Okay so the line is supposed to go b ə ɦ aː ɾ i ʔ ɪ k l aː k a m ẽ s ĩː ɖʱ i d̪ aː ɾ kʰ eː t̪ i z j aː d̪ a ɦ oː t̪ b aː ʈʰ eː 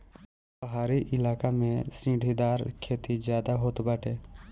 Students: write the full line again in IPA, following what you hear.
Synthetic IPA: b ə ɦ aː ɾ i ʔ ɪ l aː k a m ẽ s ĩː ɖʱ i d̪ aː ɾ kʰ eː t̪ i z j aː d̪ a ɦ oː t̪ b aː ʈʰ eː